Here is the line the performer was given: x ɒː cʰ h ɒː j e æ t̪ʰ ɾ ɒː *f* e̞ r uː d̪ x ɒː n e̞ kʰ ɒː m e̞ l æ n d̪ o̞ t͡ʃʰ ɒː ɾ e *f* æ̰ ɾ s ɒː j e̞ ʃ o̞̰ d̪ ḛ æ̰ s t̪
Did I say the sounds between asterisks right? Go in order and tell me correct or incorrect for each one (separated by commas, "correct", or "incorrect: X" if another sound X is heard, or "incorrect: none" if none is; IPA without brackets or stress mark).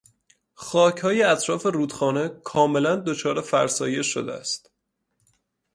correct, correct